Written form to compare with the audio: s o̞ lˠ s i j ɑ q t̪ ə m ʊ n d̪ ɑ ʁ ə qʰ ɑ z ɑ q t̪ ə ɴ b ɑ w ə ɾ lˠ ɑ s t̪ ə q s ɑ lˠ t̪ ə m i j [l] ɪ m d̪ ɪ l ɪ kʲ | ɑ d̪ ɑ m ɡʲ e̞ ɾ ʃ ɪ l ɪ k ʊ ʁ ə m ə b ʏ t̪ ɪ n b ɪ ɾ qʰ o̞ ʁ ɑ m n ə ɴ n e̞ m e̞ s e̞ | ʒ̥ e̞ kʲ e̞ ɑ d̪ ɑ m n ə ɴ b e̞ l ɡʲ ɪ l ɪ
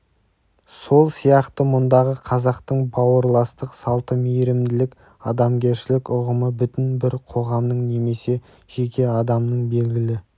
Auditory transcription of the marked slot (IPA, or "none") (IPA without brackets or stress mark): ɾ